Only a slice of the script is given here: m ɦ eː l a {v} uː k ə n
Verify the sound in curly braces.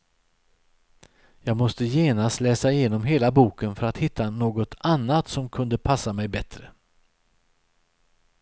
incorrect: b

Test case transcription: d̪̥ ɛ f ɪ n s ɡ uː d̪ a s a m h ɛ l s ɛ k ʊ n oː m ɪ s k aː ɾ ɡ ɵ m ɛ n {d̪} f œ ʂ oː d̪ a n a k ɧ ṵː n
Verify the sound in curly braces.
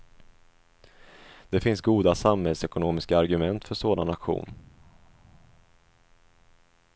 incorrect: t̪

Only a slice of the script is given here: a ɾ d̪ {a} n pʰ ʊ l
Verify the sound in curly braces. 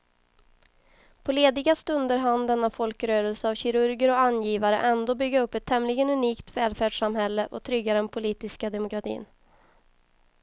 incorrect: ɛ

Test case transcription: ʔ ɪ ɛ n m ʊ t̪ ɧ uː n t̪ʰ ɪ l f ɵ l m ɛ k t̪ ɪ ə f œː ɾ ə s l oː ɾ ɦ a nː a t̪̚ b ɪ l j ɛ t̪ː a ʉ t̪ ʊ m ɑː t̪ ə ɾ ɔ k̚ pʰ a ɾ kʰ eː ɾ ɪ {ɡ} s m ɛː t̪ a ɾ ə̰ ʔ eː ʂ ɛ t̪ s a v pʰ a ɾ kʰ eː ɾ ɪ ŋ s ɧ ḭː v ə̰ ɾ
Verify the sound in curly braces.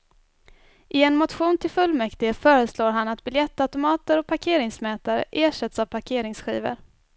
incorrect: ŋ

